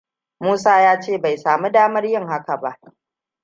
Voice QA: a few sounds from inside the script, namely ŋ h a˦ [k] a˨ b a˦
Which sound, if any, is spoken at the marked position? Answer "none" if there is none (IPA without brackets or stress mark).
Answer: k